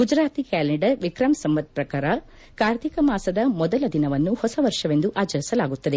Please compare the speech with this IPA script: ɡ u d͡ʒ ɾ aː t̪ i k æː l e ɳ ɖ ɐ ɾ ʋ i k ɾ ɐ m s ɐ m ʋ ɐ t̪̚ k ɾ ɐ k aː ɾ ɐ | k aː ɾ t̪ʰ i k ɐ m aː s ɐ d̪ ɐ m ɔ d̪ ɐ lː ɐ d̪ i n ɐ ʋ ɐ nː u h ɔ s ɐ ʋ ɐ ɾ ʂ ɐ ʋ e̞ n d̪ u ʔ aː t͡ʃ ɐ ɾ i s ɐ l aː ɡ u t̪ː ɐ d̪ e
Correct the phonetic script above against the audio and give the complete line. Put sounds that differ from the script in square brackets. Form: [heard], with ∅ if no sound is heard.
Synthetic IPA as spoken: ɡ u d͡ʒ ɾ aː t̪ i k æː l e ɳ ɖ ɐ ɾ ʋ i k ɾ ɐ m s ɐ m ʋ ɐ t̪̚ [p] ɾ ɐ k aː ɾ ɐ | k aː ɾ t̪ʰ i k ɐ m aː s ɐ d̪ ɐ m ɔ d̪ ɐ [l] ɐ d̪ i n ɐ ʋ ɐ nː u h ɔ s ɐ ʋ ɐ ɾ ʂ ɐ ʋ e̞ n d̪ u ʔ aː t͡ʃ ɐ ɾ i s ɐ l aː ɡ u t̪ː ɐ d̪ e